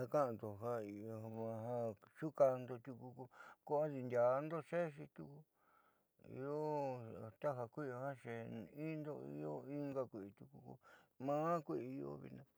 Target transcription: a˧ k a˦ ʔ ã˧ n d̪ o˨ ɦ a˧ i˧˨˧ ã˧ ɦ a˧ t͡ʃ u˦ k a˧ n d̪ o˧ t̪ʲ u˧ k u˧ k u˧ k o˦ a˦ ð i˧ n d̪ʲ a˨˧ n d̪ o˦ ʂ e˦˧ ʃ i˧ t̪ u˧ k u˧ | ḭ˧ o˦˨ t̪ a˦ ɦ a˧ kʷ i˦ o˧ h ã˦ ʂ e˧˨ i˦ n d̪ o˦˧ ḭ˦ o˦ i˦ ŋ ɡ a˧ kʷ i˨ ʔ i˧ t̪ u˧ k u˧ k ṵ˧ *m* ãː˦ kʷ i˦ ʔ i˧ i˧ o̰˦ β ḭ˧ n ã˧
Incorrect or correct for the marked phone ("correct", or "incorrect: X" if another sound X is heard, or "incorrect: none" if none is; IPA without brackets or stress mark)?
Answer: correct